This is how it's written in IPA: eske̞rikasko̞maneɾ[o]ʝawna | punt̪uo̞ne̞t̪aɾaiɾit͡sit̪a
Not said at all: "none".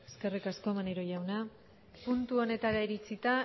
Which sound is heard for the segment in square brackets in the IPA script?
o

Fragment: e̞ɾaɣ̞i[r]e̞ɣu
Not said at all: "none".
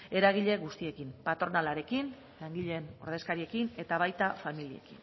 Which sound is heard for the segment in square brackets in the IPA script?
ʎ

